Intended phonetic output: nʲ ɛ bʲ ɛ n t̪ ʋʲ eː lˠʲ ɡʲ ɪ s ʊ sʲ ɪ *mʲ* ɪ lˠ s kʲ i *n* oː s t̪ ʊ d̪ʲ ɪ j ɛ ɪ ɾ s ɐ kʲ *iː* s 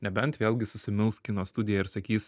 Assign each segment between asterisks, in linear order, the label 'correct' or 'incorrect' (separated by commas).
correct, correct, correct